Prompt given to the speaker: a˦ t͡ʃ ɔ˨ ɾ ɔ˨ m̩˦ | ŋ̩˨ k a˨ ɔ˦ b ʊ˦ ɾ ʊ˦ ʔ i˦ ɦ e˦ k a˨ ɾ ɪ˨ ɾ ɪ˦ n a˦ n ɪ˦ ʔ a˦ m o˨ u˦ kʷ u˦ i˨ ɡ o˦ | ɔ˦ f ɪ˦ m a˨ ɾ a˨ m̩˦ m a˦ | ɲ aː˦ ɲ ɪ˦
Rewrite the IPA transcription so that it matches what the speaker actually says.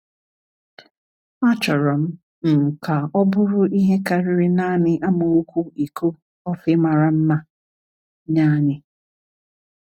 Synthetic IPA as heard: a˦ t͡ʃ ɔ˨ ɾ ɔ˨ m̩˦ | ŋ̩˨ k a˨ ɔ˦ b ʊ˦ ɾ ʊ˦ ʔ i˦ ɦ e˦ k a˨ ɾ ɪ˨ ɾ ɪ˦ n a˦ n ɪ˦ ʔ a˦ m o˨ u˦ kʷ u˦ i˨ k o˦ | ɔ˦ f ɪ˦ m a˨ ɾ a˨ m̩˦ m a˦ | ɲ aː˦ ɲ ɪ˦

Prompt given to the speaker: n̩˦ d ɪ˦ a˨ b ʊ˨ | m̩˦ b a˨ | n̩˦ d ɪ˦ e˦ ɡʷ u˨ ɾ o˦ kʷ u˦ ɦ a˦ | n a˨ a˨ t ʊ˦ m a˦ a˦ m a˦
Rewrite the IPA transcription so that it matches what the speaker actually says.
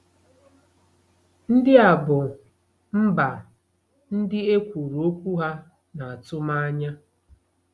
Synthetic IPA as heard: n̩˦ d ɪ˦ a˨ b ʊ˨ | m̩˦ b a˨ | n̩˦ d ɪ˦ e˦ kʷ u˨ ɾ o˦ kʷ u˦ ɦ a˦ | n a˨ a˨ t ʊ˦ m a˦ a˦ ɲ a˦

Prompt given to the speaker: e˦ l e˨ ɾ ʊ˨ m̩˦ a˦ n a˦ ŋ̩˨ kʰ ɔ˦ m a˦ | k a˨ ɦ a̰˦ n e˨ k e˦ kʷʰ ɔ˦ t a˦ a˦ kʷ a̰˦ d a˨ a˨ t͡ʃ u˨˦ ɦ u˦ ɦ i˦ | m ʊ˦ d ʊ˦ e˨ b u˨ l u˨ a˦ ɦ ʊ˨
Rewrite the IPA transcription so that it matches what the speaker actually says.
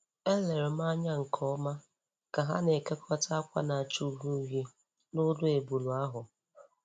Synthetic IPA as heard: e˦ l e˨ ɾ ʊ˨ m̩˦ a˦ ɲ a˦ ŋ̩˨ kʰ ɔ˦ m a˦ | k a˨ ɦ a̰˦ n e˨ k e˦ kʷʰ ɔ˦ t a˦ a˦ kʷ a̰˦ n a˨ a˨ t͡ʃ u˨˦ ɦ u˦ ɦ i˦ | n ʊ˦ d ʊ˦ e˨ b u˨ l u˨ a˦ ɦ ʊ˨

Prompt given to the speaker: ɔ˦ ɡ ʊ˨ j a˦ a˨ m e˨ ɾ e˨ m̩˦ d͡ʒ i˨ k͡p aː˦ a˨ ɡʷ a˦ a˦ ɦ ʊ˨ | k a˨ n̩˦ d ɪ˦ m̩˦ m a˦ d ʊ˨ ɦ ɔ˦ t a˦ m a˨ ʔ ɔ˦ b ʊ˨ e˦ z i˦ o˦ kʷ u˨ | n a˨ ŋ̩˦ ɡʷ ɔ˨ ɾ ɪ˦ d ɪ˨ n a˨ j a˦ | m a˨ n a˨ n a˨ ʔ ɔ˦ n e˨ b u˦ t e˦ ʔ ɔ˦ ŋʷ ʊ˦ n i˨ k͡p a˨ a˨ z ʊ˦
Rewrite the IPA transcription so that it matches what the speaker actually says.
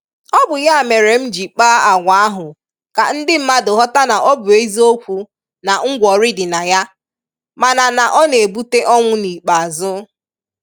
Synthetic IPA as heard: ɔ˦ b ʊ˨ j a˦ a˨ m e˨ ɾ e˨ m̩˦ d͡ʒ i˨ k͡p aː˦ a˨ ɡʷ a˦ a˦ ɦ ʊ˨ | k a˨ n̩˦ d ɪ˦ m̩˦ m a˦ d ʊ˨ ɦ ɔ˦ t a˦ n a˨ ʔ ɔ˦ b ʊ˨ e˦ z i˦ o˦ kʷ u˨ | n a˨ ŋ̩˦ ɡʷ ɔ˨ ɾ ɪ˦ d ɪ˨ n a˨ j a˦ | m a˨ n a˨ n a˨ ʔ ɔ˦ n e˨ b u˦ t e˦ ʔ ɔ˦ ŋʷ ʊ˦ n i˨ k͡p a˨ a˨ z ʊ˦

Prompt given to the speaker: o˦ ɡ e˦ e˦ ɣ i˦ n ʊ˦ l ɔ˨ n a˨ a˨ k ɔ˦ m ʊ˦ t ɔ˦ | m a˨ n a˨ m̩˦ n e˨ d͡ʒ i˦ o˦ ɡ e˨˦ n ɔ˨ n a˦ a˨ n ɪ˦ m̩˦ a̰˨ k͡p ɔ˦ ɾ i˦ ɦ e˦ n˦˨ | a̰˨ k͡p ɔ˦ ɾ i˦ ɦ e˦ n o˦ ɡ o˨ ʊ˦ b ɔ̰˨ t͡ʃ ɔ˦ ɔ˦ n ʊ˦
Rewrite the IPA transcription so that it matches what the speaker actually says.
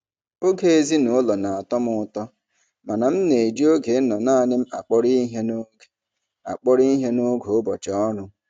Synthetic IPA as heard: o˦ ɡ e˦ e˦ z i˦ n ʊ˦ l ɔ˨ n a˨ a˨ t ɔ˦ m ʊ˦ t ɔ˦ | m a˨ n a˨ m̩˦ n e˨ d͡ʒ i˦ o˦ ɡ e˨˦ n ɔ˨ n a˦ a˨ n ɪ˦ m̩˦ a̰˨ k͡p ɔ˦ ɾ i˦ ɦ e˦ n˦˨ | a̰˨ k͡p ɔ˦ ɾ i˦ ɦ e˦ n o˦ ɡ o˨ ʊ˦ b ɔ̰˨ t͡ʃ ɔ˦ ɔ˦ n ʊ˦

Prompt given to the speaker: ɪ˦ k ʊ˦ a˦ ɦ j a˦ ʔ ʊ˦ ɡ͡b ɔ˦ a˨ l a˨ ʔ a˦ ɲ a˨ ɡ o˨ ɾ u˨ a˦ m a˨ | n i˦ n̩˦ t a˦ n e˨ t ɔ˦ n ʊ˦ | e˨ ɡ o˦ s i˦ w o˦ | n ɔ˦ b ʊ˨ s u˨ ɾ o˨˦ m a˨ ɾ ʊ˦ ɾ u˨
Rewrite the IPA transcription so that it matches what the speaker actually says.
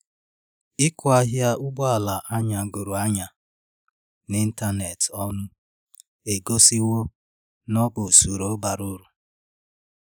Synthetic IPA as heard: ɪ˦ k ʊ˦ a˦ ɦ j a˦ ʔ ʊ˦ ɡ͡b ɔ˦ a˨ l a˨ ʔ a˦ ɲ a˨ ɡ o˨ ɾ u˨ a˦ ɲ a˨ | n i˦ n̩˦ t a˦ n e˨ t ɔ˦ n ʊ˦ | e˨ ɡ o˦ s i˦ w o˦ | n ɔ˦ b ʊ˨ s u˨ ɾ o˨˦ b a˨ ɾ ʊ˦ ɾ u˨

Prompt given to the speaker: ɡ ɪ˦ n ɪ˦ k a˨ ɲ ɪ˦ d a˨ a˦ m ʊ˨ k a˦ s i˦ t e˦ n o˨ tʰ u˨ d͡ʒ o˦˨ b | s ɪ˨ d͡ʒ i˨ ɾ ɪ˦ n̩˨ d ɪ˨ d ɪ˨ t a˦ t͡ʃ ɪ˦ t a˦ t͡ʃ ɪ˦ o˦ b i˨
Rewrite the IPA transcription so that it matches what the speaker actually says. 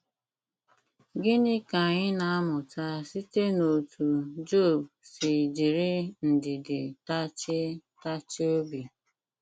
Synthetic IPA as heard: ɡ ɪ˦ n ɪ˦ k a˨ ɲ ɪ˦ n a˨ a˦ m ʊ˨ t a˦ s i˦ t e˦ n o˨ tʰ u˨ d͡ʒ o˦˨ b | s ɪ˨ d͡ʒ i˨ ɾ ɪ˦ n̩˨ d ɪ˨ d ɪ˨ t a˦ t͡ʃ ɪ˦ t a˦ t͡ʃ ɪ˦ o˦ b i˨

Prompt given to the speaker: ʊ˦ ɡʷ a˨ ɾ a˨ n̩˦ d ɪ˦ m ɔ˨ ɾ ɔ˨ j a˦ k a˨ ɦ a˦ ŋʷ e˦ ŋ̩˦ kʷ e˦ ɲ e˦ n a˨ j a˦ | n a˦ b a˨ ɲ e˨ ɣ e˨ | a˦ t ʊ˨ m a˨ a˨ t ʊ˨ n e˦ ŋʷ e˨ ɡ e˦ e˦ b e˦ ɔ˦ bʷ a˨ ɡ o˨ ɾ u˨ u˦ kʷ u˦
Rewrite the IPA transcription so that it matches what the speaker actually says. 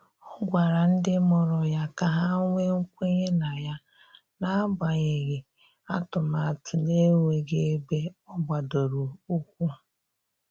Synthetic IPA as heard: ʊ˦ ɡʷ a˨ ɾ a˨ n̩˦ d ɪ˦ m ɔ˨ ɾ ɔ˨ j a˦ k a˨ ɦ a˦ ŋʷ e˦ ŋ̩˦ kʷ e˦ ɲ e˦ n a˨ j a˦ | n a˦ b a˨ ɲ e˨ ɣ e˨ | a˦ t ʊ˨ m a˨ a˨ t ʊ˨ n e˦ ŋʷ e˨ ɡ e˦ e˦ b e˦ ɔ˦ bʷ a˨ d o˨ ɾ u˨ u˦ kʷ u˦

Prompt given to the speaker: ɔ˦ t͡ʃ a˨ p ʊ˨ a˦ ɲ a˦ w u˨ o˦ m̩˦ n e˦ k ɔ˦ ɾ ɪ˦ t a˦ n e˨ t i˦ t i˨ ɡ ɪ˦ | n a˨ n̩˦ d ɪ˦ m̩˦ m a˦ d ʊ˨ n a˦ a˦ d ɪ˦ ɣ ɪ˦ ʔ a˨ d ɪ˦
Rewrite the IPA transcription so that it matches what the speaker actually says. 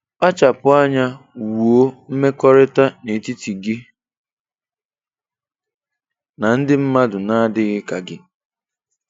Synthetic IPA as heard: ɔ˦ t͡ʃ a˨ p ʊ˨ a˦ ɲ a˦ w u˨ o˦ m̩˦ m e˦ k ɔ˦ ɾ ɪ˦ t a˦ n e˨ t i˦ t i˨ ɡ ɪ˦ | n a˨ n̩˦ d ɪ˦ m̩˦ m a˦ d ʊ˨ n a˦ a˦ d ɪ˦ ɣ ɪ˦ k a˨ ɡ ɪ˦

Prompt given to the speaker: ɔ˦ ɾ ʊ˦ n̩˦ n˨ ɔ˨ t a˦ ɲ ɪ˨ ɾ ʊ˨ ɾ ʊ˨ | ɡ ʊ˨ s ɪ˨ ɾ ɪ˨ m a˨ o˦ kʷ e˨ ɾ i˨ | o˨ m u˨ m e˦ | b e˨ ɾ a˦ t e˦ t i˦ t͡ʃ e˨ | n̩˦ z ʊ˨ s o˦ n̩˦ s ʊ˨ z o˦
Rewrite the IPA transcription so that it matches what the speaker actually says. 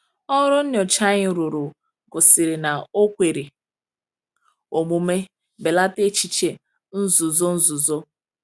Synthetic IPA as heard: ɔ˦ ɾ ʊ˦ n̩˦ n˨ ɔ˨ t͡ʃ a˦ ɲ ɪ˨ ɾ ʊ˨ ɾ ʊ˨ | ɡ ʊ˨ s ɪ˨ ɾ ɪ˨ n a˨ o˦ kʷ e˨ ɾ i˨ | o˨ m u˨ m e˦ | b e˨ l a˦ t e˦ t͡ʃ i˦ t͡ʃ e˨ | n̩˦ z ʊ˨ z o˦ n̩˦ z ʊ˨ z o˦

